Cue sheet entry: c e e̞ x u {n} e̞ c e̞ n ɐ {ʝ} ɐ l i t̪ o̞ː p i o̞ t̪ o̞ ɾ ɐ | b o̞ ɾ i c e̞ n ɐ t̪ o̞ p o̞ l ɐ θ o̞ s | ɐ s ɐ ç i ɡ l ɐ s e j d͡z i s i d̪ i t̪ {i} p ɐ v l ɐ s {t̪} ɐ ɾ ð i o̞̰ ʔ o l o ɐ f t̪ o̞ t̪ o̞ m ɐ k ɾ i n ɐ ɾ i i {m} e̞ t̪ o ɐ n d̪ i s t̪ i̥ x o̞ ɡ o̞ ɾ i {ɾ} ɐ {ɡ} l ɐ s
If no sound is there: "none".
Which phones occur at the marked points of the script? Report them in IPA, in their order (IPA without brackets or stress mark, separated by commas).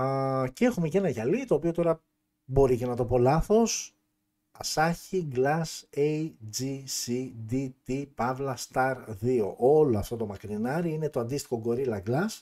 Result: m, ʝ, i, t̪, n, l, ɡ